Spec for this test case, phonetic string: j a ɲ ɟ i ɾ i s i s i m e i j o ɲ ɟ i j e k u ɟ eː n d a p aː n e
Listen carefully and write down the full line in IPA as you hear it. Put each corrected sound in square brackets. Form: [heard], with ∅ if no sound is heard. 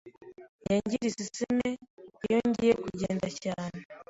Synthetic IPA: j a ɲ ɟ i ɾ i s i s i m e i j o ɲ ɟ i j e k u ɟ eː n d a [c] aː n e